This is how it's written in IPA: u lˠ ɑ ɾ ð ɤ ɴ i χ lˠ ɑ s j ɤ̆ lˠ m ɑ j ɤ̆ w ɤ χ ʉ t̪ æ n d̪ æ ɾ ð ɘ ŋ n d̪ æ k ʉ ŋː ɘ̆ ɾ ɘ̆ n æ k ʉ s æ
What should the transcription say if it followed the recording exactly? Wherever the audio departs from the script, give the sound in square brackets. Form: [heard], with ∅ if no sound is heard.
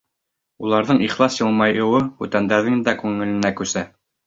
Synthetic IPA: u lˠ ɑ ɾ ð ɤ ɴ i χ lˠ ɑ s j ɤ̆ lˠ m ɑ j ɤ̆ w ɤ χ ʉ t̪ æ n d̪ æ ɾ ð ɘ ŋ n d̪ æ k ʉ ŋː ɘ̆ [l] ɘ̆ n æ k ʉ s æ